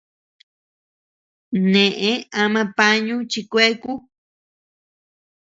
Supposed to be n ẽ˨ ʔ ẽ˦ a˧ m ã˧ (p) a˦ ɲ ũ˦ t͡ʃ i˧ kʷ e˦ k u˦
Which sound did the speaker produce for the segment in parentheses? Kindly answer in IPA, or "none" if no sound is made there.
p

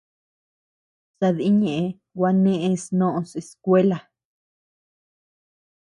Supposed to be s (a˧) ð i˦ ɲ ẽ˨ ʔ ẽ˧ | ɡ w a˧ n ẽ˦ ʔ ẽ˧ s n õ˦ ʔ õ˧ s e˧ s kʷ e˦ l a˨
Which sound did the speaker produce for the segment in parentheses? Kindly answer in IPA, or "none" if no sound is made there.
a˧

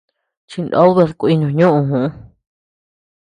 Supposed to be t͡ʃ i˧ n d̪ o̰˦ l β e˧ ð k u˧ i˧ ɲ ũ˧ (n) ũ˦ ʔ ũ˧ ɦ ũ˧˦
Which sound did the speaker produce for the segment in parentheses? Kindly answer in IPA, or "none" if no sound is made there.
ɲ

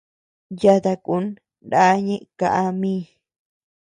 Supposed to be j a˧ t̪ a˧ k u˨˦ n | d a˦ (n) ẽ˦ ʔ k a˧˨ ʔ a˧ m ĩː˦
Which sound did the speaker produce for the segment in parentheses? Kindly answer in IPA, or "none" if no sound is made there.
ɲ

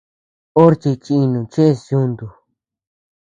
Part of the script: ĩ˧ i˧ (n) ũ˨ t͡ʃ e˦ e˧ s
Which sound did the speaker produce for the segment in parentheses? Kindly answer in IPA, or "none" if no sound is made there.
n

